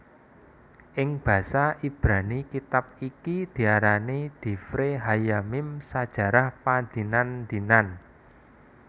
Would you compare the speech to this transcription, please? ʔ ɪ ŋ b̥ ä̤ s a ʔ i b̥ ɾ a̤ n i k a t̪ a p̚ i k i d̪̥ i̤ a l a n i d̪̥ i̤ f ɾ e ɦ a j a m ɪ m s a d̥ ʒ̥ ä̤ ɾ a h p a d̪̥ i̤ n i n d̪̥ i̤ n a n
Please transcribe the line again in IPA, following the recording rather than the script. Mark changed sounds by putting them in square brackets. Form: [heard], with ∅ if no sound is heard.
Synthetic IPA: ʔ ɪ ŋ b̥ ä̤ s a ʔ i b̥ ɾ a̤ n i k [i] t̪ a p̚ i k i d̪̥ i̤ a [ɾ] a n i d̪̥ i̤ f ɾ e ɦ a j a m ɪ m s a d̥ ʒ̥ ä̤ ɾ a h p a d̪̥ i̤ n [a] n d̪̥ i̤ n a n